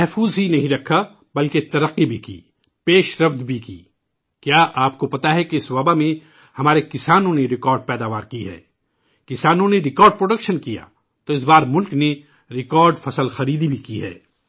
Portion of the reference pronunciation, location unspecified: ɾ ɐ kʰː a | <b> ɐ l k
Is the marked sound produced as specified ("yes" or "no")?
yes